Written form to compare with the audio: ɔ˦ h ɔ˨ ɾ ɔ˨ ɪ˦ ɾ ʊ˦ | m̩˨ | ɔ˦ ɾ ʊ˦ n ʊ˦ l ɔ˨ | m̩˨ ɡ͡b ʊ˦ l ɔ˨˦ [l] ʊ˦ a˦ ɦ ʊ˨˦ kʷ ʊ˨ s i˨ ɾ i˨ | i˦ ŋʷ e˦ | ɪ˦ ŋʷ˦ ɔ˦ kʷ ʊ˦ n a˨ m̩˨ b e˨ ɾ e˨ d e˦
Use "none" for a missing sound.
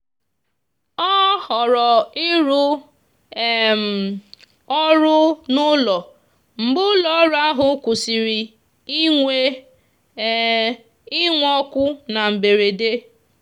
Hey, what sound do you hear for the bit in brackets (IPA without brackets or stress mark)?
ɾ